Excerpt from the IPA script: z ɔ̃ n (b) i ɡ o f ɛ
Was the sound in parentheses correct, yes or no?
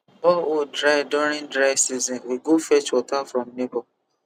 no